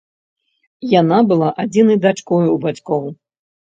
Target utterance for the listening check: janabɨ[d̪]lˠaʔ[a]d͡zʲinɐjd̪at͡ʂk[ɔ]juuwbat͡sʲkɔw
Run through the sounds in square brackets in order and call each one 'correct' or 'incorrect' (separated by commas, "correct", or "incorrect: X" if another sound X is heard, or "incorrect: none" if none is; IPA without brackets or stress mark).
incorrect: none, correct, correct